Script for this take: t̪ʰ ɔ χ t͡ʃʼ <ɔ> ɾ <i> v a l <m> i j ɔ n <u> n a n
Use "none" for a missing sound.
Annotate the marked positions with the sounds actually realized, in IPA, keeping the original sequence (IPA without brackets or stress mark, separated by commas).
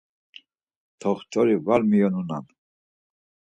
ɔ, i, m, u